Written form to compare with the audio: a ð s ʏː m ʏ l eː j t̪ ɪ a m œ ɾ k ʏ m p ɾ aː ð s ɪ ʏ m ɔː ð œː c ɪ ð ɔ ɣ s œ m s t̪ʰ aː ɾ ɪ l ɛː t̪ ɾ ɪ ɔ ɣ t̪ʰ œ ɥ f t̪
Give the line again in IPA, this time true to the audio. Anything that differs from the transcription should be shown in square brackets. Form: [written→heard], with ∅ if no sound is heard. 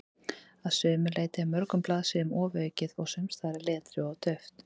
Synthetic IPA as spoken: a ð s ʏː m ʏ l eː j t̪ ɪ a m œ ɾ k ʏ m p [ɾ→l] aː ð s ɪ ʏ m ɔː [ð→v] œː c ɪ ð ɔ ɣ s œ m s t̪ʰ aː ɾ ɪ l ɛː t̪ ɾ ɪ ɔ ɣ t̪ʰ œ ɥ f t̪